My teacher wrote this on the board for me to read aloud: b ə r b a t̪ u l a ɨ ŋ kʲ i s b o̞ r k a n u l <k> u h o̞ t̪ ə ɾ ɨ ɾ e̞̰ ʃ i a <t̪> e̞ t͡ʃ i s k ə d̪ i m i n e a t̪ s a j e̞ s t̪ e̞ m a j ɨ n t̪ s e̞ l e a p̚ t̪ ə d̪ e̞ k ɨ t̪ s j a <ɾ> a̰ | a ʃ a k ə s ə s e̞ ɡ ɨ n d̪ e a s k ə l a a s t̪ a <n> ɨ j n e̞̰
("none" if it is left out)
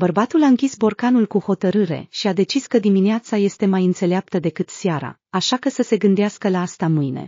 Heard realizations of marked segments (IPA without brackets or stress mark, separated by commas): k, d̪, ɾ, m